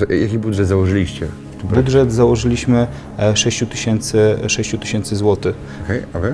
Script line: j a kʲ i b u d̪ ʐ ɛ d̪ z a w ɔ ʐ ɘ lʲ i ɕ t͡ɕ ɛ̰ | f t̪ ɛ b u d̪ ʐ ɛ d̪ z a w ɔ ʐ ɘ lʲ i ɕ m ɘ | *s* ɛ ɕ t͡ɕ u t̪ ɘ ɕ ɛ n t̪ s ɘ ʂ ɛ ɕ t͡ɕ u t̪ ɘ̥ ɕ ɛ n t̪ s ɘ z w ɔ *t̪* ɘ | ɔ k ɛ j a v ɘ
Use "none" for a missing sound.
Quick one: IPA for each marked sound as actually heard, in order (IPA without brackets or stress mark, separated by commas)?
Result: ʂ, t̪